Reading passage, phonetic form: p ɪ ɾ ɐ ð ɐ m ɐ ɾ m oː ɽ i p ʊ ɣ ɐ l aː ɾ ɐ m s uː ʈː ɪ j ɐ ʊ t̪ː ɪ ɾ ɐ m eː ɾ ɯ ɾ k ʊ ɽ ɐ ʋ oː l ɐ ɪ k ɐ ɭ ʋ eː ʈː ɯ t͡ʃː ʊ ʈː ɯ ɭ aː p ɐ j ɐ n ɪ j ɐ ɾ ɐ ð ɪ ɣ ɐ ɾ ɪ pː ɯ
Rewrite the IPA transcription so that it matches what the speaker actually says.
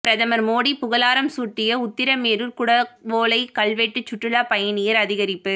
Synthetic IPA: p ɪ ɾ ɐ ð ɐ m ɐ ɾ m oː ɽ i p ʊ ɣ ɐ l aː ɾ ɐ m s uː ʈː ɪ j ɐ ʊ t̪ː ɪ ɾ ɐ m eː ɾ ɯ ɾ k ʊ ɽ ɐ ʋ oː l ɐ ɪ k ɐ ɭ ʋ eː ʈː ɯ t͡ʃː ʊ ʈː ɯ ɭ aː p ɐ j ɐ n ɪ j ɐ ɾ ɐ ð ɪ ɣ ɐ ɾ ɪ pː ɯ